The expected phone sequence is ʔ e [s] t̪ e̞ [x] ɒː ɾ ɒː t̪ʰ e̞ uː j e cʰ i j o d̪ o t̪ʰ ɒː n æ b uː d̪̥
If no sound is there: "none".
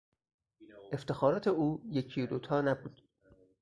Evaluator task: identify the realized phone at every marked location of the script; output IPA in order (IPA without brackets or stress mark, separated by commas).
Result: f, x